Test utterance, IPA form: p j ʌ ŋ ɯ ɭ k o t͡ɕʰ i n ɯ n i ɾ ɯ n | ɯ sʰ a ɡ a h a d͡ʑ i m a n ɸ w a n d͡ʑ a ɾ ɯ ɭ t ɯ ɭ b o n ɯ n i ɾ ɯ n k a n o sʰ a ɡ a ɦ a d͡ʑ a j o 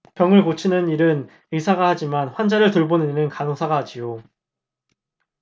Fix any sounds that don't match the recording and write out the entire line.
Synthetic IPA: p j ʌ ŋ ɯ ɭ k o t͡ɕʰ i n ɯ n i ɾ ɯ n | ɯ sʰ a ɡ a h a d͡ʑ i m a n ɸ w a n d͡ʑ a ɾ ɯ ɭ t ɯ ɭ b o n ɯ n i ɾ ɯ n k a n o sʰ a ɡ a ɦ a d͡ʑ i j o

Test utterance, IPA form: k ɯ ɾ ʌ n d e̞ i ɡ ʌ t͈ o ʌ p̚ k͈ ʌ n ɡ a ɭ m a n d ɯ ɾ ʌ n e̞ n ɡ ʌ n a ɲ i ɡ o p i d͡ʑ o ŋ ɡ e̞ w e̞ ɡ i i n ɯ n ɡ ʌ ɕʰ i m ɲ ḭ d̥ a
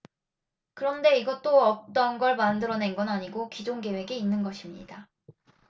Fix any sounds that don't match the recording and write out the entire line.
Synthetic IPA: k ɯ ɾ ʌ n d e̞ i ɡ ʌ t͈ o ʌ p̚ t͈ ʌ n ɡ ʌ ɭ m a n d ɯ ɾ ʌ n e̞ n ɡ ʌ n a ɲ i ɡ o k i d͡ʑ o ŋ ɡ e̞ w e̞ ɡ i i nː ɯ n ɡ ʌ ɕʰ i m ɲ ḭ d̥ a

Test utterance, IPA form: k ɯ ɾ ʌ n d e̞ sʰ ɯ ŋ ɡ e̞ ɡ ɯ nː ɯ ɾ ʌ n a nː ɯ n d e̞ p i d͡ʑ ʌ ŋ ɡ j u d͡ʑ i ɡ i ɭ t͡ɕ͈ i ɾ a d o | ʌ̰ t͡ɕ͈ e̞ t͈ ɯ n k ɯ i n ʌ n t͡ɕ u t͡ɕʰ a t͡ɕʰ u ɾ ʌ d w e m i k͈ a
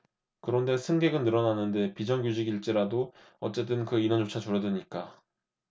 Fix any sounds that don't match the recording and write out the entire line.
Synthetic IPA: k ɯ ɾ ʌ n d e̞ sʰ ɯ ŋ ɡ e̞ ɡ ɯ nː ɯ ɾ ʌ n a nː ɯ n d e̞ p i d͡ʑ ʌ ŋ ɡ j u d͡ʑ i ɡ i ɭ t͡ɕ͈ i ɾ a d o | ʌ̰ t͡ɕ͈ e̞ t͈ ɯ n k ɯ i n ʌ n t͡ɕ o t͡ɕʰ a t͡ɕ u ɾ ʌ d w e ɲ i k͈ a

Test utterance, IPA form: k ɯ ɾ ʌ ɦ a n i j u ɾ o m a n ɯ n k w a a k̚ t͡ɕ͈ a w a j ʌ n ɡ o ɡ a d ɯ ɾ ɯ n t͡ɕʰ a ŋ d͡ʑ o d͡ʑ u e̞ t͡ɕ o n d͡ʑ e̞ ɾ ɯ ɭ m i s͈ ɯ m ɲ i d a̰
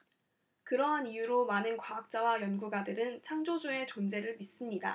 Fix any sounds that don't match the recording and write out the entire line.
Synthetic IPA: k ɯ ɾ ʌ ɦ a n i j u ɾ o m a n ɯ n k w a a k̚ t͡ɕ͈ a w a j ʌ n ɡ u ɡ a d ɯ ɾ ɯ n t͡ɕʰ a ŋ d͡ʑ o d͡ʑ u e̞ t͡ɕ o n d͡ʑ e̞ ɾ ɯ ɭ m i s͈ ɯ m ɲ i d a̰

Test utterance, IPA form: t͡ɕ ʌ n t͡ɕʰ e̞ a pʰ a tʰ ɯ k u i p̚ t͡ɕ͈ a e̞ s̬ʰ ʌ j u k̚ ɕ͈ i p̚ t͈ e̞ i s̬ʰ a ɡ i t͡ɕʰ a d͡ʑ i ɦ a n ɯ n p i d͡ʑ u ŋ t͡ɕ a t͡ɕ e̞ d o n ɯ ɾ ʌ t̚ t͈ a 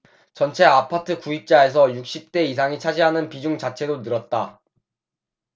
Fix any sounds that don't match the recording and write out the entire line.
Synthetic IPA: t͡ɕ ʌ n t͡ɕʰ e̞ a pʰ a tʰ ɯ k u i p̚ t͡ɕ͈ a e̞ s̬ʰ ʌ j u k̚ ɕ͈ i p̚ t͈ e̞ i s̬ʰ a ŋ i t͡ɕʰ a d͡ʑ i ɦ a n ɯ n p i d͡ʑ u ŋ t͡ɕ a t͡ɕʰ e̞ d o n ɯ ɾ ʌ t̚ t͈ a

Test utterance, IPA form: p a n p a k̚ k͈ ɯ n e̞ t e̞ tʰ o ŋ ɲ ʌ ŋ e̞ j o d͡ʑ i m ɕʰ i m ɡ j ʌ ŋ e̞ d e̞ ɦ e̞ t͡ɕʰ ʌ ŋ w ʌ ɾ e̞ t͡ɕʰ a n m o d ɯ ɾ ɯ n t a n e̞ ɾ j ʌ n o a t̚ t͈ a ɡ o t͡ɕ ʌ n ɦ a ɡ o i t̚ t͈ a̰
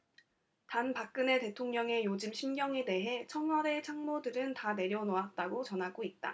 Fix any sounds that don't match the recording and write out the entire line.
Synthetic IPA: t a n p a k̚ k͈ ɯ n e̞ t e̞ tʰ o ŋ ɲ ʌ ŋ e̞ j o d͡ʑ i m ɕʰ i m ɡ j ʌ ŋ e̞ d e̞ ɦ e̞ t͡ɕʰ ʌ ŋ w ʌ ɾ e̞ t͡ɕʰ a ŋ m o d ɯ ɾ ɯ n t a n e̞ ɾ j ʌ n o a t̚ t͈ a ɡ o t͡ɕ ʌ n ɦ a ɡ o i t̚ t͈ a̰

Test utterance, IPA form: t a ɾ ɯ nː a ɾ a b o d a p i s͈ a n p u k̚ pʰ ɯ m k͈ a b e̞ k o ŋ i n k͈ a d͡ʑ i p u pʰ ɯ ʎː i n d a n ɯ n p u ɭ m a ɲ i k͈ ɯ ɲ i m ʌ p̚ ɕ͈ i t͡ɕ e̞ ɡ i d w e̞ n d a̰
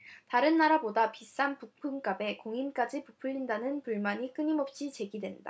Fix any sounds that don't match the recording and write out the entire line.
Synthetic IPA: t a ɾ ɯ nː a ɾ a b o d a p i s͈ a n p u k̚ pʰ ɯ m k͈ a b e̞ k o ŋ i m k͈ a d͡ʑ i p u pʰ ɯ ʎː i n d a n ɯ n p u ɭ m a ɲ i k͈ ɯ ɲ i m ʌ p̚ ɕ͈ i t͡ɕ e̞ ɡ i d w e̞ n d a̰

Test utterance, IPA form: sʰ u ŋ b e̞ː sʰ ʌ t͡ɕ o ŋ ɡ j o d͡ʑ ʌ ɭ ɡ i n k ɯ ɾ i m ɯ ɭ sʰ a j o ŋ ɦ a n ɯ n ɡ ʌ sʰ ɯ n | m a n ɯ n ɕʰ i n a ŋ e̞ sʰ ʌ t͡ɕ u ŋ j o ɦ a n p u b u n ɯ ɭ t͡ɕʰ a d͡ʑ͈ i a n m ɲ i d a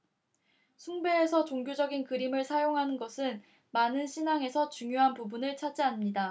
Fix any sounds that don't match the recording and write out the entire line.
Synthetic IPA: sʰ u ŋ b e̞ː sʰ ʌ t͡ɕ o ŋ ɡ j o d͡ʑ ʌ ɡ i n k ɯ ɾ i m ɯ ɭ sʰ a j o ŋ ɦ a n ɯ n ɡ ʌ sʰ ɯ n | m a n ɯ n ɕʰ i n a ŋ e̞ sʰ ʌ t͡ɕ u ŋ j o ɦ a n p u b u n ɯ ɭ t͡ɕʰ a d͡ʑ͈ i a n m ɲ i d a

